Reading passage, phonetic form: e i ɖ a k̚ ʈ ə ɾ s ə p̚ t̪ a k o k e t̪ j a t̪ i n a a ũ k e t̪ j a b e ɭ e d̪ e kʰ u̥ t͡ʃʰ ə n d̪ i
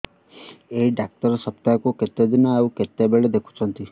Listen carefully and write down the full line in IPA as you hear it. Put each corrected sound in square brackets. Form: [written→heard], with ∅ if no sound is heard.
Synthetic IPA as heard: e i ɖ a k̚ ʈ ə ɾ s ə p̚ t̪ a k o k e t̪ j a [t̪→d̪] i n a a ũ k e t̪ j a b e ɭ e d̪ e kʰ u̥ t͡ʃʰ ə n [d̪→t̪] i

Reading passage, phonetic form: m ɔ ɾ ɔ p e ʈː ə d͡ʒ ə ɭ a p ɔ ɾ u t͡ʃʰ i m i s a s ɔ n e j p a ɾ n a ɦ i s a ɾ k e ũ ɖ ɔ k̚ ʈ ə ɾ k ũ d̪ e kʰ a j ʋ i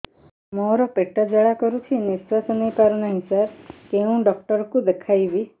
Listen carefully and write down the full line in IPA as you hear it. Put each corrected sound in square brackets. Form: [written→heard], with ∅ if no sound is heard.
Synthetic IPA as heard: m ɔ ɾ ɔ p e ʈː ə d͡ʒ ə ɭ a [p→k] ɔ ɾ u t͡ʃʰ i [m→n] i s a s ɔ n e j p a ɾ n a ɦ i s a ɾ k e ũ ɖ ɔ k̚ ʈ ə ɾ k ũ d̪ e kʰ a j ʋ i

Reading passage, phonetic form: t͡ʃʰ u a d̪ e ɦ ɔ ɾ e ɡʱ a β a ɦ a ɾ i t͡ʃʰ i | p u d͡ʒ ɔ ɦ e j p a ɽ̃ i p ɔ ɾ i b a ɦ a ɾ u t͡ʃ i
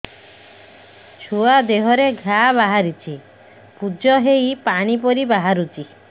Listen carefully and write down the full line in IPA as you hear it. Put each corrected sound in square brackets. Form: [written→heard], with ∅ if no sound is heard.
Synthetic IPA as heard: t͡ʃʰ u a d̪ e ɦ ɔ ɾ e ɡʱ a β a ɦ a ɾ i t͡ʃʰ i | p u d͡ʒ ɔ ɦ e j p a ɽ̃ i p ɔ ɾ i b a ɦ a ɾ u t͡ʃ i

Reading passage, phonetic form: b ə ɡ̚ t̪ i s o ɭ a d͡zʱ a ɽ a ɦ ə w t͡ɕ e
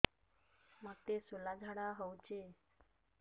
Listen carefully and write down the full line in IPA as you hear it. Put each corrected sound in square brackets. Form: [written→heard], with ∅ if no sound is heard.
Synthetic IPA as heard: [b→m] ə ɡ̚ t̪ [i→e] s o [ɭ→l] a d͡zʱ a ɽ a ɦ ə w t͡ɕ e

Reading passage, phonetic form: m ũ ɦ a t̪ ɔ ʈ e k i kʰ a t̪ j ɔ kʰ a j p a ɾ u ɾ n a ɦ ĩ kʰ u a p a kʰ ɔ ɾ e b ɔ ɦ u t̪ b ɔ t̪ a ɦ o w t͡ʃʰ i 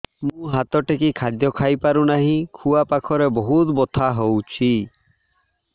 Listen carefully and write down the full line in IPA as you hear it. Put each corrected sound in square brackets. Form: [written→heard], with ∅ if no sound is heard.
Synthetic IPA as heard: m ũ ɦ a t̪ ɔ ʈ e k i kʰ a [t̪→d̪] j ɔ kʰ a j p a ɾ u [ɾ→∅] n a ɦ ĩ kʰ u a p a kʰ ɔ ɾ e b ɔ ɦ u t̪ b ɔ [t̪→t̪ʰ] a ɦ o w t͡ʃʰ i

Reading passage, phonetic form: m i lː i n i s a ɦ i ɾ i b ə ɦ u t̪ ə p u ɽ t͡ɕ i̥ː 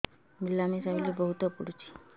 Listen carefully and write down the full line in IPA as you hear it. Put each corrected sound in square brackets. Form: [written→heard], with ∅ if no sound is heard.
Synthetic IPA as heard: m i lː [i→a] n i s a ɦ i [ɾ→l] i b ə ɦ u t̪ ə p u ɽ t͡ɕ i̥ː

